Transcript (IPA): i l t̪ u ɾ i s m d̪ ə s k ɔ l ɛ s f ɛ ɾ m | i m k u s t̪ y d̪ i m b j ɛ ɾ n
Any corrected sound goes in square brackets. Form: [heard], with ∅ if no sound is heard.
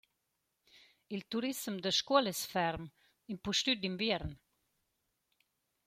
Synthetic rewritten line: i l t̪ u ɾ i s m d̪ ə [ʃ] k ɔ l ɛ s f ɛ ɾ m | i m [p] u [ʃ] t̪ y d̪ i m b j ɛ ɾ n